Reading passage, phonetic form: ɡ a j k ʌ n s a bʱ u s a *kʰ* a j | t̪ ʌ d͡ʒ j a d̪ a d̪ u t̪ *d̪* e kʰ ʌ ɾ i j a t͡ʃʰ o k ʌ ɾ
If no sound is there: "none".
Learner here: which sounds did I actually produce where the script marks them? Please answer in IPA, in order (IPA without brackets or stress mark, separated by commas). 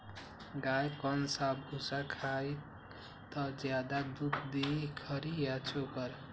kʰ, d̪